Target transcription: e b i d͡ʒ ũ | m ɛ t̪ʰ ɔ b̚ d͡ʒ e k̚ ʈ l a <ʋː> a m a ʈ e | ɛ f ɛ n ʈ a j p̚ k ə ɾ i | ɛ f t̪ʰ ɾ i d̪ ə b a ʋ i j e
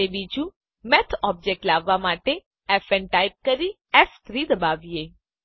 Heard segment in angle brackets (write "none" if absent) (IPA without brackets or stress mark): ʋː